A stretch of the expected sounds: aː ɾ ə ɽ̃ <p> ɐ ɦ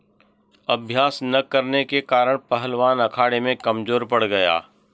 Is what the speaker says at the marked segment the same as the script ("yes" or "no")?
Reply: yes